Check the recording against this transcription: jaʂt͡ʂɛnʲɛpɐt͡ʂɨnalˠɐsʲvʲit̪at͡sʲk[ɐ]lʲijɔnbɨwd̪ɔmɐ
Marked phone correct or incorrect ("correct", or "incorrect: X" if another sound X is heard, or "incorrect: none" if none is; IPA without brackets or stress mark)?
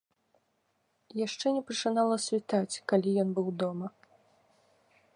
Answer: incorrect: a